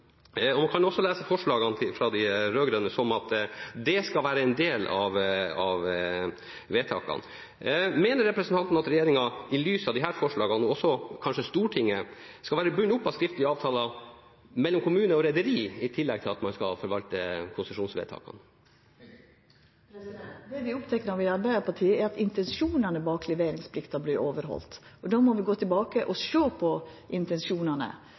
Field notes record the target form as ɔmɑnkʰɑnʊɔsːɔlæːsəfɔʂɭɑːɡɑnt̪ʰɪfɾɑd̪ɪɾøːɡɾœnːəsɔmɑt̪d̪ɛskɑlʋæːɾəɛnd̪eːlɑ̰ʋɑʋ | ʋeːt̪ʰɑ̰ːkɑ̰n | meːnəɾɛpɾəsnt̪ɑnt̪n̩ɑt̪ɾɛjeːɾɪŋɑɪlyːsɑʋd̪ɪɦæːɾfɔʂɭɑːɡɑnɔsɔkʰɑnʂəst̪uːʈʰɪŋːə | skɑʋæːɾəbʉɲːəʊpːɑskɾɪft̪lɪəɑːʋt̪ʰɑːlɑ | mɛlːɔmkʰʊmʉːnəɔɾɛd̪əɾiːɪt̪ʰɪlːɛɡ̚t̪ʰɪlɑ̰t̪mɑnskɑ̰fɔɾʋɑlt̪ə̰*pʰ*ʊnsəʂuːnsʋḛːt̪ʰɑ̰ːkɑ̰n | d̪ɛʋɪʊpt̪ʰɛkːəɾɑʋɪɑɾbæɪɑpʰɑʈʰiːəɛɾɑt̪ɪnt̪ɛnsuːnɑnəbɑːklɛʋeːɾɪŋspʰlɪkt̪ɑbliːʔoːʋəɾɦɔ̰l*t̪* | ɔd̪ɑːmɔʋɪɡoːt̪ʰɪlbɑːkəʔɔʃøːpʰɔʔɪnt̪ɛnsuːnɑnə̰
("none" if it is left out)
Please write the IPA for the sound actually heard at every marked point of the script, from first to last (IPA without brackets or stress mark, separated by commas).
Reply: kʰ, t̪